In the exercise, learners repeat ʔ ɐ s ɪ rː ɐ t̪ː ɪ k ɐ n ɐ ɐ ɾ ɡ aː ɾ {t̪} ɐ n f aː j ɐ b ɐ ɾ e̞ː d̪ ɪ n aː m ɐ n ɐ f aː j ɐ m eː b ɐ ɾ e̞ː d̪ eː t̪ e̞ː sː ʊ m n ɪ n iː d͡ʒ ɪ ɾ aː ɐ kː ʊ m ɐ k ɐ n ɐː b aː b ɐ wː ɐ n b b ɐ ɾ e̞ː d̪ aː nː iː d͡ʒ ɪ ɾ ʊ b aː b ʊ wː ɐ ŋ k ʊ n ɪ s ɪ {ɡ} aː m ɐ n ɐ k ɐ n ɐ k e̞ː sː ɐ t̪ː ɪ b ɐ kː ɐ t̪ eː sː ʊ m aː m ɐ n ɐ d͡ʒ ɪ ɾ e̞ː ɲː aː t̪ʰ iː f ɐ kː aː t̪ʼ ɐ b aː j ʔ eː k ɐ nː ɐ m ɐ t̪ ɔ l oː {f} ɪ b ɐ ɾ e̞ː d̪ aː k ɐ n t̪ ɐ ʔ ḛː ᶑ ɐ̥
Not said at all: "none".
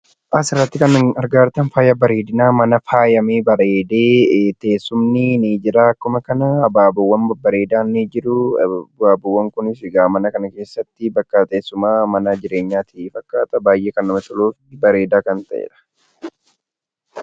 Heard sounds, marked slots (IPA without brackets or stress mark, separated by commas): t̪, ɡ, f